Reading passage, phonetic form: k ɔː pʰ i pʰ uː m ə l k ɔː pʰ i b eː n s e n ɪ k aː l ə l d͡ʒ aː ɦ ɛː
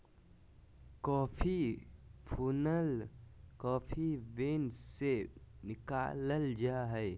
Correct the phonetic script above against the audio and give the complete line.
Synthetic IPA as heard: k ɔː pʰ i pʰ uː n ə l k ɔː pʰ i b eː n s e n ɪ k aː l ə l d͡ʒ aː ɦ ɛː

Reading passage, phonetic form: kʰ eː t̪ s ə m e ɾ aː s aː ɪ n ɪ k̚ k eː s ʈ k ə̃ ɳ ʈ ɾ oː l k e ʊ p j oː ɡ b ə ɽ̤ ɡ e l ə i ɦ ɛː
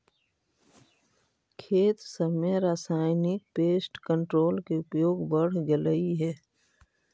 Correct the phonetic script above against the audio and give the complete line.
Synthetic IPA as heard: kʰ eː t̪ s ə m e ɾ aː s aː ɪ n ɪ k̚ p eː s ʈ k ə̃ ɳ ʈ ɾ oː l k e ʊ p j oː ɡ b ə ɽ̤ ɡ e l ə i ɦ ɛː

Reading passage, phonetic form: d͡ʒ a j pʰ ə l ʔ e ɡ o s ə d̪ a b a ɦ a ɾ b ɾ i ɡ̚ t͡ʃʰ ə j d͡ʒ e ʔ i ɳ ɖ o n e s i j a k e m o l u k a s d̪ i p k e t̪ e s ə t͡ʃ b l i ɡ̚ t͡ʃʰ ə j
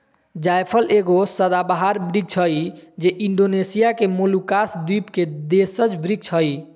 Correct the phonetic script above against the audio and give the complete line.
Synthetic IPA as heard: d͡ʒ a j pʰ ə l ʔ e ɡ o s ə d̪ a b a ɦ a ɾ b ɾ i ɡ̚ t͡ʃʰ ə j d͡ʒ e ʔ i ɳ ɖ o n e s i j a k e m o l u k a s d̪ i p k e d̪ e s ə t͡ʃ b ɾ i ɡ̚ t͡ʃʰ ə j

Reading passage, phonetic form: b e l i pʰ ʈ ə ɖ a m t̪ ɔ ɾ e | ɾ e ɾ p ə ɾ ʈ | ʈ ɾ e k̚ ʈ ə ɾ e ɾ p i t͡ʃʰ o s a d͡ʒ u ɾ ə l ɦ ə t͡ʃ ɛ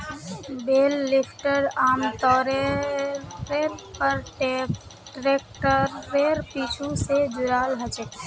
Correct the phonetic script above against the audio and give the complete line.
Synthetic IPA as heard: b e lː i pʰ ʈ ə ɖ a m t̪ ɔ ɾ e | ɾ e ɾ p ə ɾ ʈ | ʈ ɾ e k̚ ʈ ə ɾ e ɾ p i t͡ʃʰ u s e d͡ʒ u ɾ a l ɦ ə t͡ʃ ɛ

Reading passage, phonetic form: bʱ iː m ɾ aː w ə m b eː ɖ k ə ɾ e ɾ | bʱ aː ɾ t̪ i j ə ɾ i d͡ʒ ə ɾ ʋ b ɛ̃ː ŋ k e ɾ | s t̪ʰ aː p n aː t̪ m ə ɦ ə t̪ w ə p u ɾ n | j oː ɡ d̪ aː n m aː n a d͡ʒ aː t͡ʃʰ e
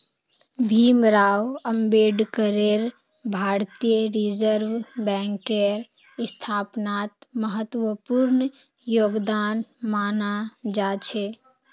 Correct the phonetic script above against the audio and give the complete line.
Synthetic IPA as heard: bʱ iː m ɾ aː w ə m b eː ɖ k ə ɾ e ɾ | bʱ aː ɾ t̪ i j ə ɾ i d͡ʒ ə ɾ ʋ b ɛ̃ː ŋ k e ɾ | s t̪ʰ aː p n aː t̪ m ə ɦ ə t̪ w ə p u ɾ n | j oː ɡ d̪ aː n m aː n a d͡ʒ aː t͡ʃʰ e

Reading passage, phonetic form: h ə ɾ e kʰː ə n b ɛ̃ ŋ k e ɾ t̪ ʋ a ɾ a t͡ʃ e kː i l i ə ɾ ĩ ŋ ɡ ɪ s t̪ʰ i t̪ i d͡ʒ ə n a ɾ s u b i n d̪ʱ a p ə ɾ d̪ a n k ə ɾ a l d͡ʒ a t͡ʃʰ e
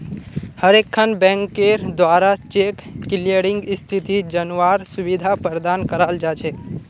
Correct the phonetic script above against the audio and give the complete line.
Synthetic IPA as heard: h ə ɾ e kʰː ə n b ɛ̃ ŋ k e ɾ d̪ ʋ a ɾ a t͡ʃ e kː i l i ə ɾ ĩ ŋ ɡ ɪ s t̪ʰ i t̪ i d͡ʒ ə n a ɾ s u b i d̪ʱ a p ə ɾ d̪ a n k ə ɾ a l d͡ʒ a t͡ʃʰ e

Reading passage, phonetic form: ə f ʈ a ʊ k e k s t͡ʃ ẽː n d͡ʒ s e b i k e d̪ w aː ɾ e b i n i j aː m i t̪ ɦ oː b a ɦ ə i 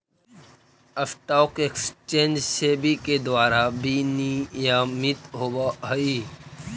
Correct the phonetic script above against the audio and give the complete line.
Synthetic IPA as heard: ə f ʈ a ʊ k e k s t͡ʃ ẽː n d͡ʒ s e b i k e d̪ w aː ɾ a b i n i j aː m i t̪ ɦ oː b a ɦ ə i

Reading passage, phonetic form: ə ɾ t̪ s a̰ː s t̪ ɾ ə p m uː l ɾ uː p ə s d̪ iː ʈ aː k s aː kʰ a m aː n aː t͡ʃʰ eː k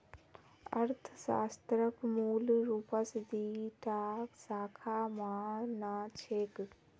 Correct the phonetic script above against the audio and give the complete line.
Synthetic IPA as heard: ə ɾ t̪ʰ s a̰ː s t̪ ɾ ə k m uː l ɾ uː p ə s d̪ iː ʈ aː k s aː kʰ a m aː n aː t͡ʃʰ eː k

